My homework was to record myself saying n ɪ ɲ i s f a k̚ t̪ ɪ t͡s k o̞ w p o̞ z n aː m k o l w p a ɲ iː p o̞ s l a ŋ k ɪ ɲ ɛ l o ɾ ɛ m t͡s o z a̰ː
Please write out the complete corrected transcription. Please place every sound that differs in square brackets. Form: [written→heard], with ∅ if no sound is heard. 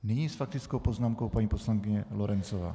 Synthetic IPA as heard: n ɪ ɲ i s f a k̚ t̪ ɪ t͡s k o̞ w p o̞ z n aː m k o [l→∅] w p a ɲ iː p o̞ s l a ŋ k ɪ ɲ ɛ l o ɾ ɛ [m→n] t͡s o [z→v] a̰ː